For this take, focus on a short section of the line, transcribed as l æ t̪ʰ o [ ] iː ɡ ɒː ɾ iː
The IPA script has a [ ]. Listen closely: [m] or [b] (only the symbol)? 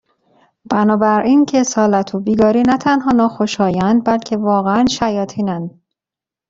b